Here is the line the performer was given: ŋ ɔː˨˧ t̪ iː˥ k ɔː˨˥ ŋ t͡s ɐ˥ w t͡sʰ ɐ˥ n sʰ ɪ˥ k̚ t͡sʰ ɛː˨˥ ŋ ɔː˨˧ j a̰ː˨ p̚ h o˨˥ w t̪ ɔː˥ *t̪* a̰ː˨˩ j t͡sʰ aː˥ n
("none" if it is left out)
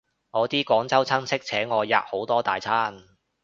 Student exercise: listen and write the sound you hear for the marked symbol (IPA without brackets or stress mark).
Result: t̪